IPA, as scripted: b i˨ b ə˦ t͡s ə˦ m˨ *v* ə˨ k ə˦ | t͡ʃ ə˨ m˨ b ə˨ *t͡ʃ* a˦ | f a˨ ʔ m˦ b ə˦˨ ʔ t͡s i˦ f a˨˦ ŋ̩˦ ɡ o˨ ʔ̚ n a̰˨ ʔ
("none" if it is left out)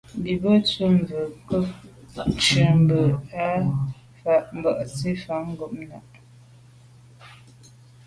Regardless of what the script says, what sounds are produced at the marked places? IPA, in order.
v, none

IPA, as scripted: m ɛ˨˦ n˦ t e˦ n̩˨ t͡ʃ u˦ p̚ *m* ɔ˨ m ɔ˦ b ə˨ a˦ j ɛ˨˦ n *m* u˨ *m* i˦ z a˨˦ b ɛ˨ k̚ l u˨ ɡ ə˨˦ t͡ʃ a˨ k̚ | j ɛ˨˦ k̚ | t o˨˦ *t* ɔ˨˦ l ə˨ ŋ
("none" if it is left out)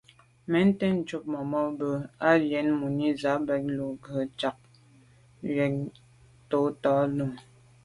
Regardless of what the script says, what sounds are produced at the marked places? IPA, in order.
m, m, n, t

